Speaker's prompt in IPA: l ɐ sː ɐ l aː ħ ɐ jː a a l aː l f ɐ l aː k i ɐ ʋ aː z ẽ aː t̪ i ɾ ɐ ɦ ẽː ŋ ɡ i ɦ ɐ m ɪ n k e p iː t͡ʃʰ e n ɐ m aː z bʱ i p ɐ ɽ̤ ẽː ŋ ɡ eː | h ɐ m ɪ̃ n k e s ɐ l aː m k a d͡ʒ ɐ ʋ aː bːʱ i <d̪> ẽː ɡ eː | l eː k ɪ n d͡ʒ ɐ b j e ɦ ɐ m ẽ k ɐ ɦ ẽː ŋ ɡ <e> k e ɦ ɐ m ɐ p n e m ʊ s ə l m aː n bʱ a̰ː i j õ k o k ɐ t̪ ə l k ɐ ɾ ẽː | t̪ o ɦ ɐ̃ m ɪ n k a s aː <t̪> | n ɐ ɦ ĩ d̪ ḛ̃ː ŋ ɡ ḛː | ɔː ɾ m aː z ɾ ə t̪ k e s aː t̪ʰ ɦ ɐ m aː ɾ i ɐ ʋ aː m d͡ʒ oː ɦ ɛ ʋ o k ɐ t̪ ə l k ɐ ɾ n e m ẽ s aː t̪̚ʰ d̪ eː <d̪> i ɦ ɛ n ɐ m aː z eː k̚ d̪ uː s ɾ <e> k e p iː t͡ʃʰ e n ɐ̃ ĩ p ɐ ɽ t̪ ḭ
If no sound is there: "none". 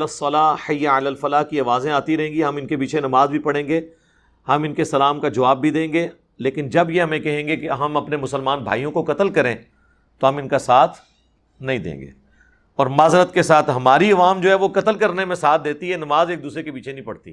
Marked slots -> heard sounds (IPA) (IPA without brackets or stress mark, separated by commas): d̪, e, t̪ʰ, t̪, e